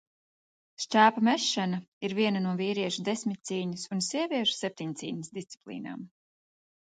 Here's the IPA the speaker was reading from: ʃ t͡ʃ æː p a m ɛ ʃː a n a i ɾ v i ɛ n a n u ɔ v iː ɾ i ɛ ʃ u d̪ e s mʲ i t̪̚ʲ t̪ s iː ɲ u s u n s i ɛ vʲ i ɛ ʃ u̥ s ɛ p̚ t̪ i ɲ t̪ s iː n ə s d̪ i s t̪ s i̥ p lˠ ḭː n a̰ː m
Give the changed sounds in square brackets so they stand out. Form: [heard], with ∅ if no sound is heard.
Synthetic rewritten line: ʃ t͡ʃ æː p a m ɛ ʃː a n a i ɾ v i ɛ n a n u ɔ v iː ɾ i ɛ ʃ u d̪ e s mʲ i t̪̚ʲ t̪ s iː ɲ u s u n s i ɛ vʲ i ɛ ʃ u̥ s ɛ p̚ t̪ i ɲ t̪ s iː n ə s d̪ i s t̪ s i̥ p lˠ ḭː n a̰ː m